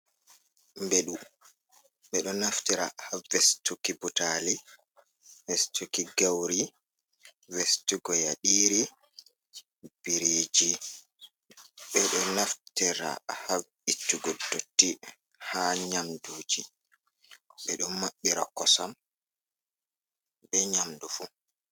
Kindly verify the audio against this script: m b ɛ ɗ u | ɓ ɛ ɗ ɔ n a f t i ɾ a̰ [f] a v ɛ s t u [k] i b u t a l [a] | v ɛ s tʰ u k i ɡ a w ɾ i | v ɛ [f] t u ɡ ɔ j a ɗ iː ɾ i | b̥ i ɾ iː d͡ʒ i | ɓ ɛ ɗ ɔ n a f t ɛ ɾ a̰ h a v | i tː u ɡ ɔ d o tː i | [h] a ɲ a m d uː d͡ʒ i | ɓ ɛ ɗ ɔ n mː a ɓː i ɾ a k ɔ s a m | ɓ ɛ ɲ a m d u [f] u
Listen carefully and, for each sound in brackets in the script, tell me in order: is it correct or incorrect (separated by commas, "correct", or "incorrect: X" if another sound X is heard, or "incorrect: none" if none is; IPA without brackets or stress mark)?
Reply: incorrect: h, correct, incorrect: i, incorrect: s, correct, correct